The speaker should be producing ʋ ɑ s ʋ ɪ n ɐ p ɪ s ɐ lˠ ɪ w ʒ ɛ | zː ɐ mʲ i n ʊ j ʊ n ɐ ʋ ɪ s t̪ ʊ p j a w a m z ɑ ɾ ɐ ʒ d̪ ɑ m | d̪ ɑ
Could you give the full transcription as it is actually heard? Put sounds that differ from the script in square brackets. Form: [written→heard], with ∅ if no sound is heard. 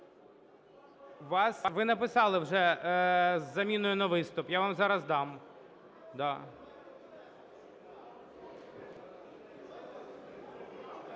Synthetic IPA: ʋ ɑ s ʋ ɪ n ɐ p ɪ s [ɐ→ɑ] lˠ ɪ w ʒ ɛ | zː ɐ mʲ i n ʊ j ʊ n ɐ ʋ ɪ s t̪ ʊ p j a [w→ʋ] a m z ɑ ɾ ɐ [ʒ→z] d̪ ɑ m | d̪ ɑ